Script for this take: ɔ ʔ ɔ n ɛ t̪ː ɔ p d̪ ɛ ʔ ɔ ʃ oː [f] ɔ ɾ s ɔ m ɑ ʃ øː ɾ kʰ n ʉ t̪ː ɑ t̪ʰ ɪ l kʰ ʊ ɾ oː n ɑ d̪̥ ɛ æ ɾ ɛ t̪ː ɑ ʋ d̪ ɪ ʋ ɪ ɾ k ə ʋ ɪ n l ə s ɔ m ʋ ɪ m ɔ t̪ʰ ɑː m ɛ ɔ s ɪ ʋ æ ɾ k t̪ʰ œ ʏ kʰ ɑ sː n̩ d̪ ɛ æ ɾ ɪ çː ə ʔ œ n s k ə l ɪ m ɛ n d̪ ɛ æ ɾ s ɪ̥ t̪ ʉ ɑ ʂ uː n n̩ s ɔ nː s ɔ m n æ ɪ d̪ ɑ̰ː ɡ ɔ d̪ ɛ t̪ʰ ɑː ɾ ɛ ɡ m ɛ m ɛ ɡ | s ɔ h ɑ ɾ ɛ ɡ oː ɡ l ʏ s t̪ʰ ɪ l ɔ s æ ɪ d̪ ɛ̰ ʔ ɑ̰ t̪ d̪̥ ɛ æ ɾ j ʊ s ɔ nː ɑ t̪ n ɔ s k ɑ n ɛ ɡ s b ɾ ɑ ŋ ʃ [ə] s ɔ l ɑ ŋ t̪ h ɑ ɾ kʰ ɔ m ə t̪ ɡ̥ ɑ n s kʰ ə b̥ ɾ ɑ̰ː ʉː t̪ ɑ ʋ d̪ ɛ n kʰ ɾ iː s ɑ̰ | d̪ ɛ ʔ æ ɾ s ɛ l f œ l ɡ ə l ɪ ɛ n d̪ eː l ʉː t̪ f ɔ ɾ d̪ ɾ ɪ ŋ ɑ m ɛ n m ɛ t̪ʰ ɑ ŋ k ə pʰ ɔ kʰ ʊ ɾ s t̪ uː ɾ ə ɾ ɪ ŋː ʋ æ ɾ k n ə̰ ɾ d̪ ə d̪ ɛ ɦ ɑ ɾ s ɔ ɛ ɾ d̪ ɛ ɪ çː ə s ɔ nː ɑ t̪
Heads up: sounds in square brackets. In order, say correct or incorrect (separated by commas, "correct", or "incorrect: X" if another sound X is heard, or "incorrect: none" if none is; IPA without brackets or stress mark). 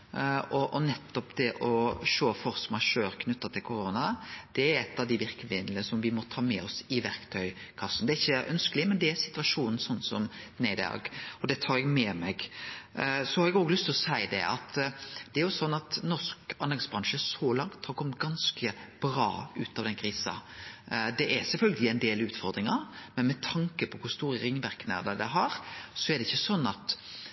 correct, correct